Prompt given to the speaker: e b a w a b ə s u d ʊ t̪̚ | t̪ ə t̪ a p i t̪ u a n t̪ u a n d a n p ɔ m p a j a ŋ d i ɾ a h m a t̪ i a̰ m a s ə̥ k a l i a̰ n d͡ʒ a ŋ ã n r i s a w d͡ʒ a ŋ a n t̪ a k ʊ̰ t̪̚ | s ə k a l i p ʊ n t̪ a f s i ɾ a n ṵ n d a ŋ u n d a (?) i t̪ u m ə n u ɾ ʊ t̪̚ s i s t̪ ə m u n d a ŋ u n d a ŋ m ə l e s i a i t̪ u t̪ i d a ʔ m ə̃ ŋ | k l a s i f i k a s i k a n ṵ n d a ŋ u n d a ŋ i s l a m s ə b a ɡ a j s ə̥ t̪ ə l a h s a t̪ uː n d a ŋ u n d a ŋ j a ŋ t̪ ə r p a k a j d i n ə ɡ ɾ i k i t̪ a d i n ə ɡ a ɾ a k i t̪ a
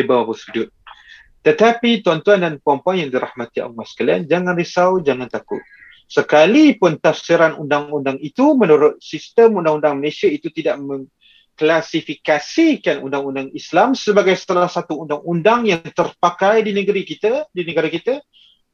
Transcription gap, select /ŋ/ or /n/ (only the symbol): ŋ